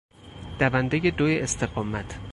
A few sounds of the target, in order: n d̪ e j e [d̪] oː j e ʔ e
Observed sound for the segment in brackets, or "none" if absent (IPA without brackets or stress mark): d̪